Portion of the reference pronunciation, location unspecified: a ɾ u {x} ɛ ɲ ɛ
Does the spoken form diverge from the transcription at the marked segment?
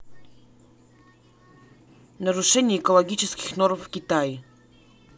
yes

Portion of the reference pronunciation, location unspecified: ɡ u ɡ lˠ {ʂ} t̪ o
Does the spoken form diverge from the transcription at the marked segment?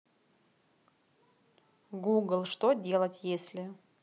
no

